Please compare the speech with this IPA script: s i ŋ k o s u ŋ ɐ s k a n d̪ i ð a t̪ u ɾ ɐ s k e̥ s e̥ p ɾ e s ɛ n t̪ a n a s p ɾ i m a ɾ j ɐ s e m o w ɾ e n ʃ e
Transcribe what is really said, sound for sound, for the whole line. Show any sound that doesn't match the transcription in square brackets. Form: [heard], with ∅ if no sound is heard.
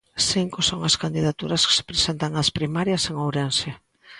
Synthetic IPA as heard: s i ŋ k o s [o] ŋ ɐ s k a n d̪ i ð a t̪ u ɾ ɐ s k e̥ s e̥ p ɾ e s [e] n t̪ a [ŋ] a s p ɾ i m a ɾ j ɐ s e [ŋ] o w ɾ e n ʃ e